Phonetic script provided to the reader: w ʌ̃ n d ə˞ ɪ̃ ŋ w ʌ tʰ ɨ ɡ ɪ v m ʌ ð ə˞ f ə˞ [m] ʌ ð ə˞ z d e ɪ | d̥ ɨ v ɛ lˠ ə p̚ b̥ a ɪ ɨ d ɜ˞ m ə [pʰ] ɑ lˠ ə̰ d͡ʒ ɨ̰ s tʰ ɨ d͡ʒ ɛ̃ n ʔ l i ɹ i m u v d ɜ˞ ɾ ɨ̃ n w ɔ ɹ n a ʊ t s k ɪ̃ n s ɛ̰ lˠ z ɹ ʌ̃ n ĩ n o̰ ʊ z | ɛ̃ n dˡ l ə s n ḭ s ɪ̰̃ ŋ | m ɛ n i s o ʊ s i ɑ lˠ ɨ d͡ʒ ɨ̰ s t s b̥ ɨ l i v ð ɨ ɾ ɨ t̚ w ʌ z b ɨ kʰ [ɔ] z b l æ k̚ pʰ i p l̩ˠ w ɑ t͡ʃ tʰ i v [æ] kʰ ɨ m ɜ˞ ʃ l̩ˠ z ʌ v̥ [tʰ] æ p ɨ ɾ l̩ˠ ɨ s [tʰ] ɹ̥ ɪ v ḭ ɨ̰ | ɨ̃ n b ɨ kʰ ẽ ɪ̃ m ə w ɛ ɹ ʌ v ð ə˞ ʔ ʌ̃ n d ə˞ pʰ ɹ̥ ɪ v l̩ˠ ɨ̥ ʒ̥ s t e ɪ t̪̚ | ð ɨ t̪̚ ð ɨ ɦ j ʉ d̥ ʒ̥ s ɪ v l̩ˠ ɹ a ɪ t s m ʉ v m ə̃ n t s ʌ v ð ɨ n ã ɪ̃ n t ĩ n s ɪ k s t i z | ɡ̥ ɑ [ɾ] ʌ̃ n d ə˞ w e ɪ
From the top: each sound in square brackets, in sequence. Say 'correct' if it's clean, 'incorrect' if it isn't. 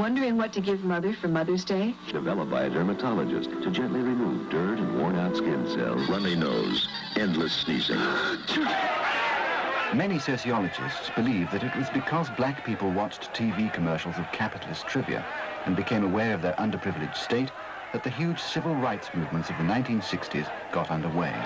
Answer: correct, incorrect: tʰ, incorrect: ʌ, incorrect: i, incorrect: kʰ, correct, correct

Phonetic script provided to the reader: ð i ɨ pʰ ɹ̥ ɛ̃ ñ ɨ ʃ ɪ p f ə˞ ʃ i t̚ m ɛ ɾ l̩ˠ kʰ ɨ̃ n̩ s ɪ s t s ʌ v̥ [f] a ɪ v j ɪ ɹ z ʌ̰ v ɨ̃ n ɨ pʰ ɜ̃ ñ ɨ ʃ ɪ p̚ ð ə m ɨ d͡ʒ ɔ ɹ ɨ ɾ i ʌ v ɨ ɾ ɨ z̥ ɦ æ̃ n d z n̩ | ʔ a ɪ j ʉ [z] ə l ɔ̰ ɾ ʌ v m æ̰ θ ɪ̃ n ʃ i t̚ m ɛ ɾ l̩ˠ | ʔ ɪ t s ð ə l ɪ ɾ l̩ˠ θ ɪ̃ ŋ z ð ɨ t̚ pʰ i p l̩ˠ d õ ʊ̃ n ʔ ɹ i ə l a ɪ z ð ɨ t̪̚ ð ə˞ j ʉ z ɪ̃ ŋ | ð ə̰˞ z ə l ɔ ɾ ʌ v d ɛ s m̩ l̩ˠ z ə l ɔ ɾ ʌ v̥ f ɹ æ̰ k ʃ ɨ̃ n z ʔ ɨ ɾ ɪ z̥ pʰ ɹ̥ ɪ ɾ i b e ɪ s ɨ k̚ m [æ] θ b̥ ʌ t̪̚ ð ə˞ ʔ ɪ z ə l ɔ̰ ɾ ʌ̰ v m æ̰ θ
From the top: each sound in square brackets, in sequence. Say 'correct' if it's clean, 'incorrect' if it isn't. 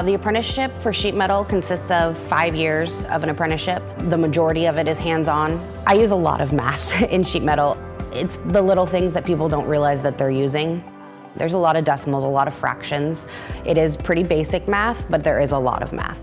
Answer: correct, correct, correct

